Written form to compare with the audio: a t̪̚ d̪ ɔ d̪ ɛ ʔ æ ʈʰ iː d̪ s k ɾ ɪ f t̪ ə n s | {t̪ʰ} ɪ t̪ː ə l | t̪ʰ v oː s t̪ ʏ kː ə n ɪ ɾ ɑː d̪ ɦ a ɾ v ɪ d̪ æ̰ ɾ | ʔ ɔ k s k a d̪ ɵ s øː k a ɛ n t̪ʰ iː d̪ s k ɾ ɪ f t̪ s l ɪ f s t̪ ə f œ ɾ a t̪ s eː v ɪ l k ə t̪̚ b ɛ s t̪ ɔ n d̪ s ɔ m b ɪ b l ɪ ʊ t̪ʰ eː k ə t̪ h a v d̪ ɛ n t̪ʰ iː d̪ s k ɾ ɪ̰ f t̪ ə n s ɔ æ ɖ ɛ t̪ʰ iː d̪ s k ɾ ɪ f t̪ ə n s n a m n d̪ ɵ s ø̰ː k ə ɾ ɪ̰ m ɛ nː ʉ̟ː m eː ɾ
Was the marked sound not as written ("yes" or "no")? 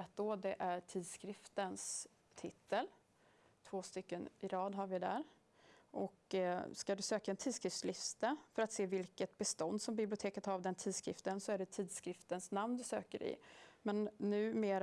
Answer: no